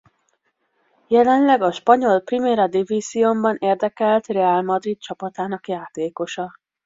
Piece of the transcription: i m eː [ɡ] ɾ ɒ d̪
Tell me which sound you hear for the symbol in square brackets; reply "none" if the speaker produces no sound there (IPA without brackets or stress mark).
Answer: none